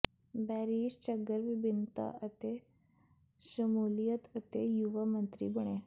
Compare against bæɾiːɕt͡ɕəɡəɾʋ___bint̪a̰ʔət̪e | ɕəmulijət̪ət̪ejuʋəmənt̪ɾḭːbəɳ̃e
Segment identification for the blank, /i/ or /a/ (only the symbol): i